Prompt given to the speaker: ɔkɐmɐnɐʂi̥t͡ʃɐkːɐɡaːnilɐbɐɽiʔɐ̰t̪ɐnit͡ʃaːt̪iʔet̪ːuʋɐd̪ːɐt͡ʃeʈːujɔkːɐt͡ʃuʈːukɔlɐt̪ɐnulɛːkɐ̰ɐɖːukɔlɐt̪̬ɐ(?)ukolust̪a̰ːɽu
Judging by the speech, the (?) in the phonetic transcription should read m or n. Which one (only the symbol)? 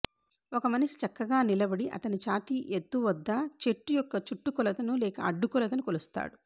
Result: n